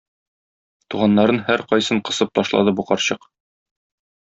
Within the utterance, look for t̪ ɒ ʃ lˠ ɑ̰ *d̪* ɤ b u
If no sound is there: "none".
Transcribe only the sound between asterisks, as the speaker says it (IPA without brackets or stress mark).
d̪